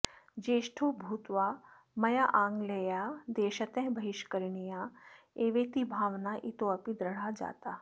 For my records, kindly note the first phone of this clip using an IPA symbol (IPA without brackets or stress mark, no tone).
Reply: d͡ʒ